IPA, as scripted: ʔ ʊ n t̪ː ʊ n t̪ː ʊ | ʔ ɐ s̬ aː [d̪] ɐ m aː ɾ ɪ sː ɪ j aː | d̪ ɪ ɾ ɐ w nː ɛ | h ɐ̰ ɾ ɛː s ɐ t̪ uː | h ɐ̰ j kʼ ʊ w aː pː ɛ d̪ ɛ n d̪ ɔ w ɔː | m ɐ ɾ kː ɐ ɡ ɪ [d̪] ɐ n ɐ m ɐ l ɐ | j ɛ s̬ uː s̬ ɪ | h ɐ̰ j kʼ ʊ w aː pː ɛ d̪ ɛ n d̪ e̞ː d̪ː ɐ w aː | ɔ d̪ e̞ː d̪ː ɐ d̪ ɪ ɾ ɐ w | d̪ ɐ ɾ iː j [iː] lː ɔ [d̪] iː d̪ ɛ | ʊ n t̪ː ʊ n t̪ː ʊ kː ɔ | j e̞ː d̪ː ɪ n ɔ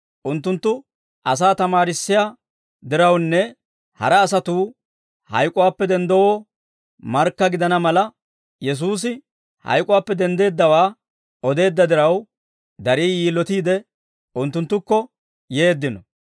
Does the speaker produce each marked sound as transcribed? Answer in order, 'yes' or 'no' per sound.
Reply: no, yes, yes, no

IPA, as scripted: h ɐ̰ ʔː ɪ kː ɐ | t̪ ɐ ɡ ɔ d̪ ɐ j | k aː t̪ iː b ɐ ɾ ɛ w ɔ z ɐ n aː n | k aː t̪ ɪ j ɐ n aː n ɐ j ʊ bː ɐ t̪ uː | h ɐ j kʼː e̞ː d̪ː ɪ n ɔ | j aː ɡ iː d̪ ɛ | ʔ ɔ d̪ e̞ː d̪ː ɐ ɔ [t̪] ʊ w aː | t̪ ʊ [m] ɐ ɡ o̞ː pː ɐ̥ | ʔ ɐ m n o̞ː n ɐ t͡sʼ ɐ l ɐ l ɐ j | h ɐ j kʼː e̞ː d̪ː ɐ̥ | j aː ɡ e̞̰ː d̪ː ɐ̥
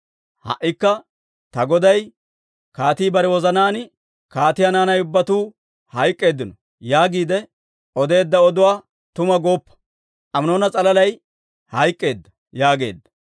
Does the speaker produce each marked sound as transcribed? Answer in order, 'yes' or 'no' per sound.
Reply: no, yes

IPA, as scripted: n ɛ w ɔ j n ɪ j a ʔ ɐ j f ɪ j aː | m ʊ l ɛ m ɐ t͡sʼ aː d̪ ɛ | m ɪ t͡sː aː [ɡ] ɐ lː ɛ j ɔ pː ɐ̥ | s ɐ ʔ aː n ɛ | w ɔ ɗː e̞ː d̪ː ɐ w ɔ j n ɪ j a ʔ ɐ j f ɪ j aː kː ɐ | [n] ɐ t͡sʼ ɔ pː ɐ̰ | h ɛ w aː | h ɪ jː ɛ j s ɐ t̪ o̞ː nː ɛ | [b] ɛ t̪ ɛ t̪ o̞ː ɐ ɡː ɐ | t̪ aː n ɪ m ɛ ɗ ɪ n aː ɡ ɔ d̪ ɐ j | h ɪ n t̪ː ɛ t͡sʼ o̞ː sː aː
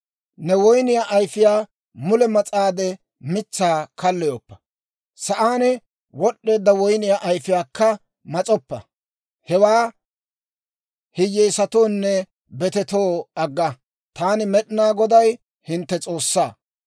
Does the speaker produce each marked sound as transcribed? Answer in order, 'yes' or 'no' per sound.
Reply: no, no, yes

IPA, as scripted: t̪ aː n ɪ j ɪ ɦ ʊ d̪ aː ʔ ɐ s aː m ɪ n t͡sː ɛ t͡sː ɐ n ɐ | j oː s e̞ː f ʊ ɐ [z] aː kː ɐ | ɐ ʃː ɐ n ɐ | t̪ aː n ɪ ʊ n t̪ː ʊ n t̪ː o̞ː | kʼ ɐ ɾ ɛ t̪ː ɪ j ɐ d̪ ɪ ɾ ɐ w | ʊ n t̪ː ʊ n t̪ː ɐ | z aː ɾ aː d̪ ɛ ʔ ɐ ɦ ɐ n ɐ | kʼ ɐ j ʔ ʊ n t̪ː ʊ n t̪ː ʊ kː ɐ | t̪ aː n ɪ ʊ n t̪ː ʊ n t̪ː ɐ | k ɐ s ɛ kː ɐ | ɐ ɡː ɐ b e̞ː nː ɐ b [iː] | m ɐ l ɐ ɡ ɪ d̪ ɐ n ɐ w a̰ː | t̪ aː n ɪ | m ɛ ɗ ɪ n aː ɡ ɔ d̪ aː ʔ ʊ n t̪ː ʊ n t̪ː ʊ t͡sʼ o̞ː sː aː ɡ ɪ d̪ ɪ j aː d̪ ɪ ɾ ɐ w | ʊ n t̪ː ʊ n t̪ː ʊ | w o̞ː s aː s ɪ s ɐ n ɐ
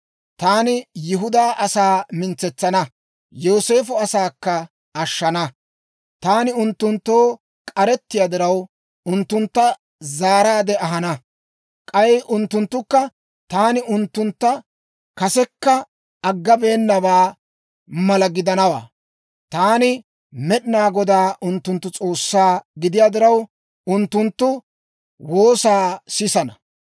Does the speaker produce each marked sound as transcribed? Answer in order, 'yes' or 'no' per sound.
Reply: no, no

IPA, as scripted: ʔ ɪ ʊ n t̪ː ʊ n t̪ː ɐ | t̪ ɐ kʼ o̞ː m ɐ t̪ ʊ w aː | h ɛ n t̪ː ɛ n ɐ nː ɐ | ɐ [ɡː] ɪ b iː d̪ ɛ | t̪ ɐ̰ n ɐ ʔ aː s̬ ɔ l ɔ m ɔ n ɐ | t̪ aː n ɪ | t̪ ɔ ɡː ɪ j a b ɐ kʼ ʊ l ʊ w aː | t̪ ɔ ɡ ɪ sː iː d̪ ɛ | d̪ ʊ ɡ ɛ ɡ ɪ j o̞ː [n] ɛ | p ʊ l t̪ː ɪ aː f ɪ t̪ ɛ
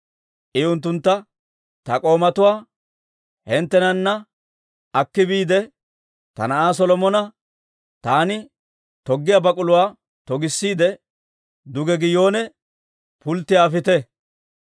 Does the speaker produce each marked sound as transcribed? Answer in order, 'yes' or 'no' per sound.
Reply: no, yes

